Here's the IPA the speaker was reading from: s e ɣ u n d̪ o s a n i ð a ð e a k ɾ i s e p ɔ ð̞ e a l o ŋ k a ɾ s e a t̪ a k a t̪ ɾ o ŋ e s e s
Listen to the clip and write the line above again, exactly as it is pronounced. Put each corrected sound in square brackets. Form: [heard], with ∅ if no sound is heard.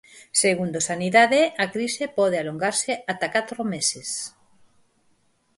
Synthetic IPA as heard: s e ɣ u n d̪ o s a n i ð a ð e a k ɾ i s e p ɔ ð̞ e a l o ŋ [ɡ] a ɾ s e a t̪ a k a t̪ ɾ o [m] e s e s